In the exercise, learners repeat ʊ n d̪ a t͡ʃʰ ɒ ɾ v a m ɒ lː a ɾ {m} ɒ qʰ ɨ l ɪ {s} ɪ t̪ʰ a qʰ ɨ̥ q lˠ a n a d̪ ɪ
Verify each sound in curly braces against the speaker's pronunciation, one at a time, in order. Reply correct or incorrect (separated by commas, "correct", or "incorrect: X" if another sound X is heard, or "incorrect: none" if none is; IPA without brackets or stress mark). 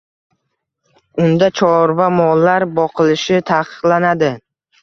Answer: incorrect: b, incorrect: ʃ